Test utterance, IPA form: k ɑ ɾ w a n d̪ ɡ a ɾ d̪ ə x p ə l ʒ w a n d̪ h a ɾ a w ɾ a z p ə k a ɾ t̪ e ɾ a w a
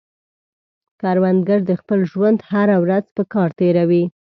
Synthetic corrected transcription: k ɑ ɾ w a n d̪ ɡ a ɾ d̪ ə x p ə l ʒ w a n d̪ h a ɾ a w ɾ a z p ə k ɑ ɾ t̪ e ɾ a w i